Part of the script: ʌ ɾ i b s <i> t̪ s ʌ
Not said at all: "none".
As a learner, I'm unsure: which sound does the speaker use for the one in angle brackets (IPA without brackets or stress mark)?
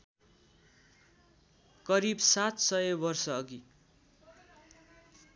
a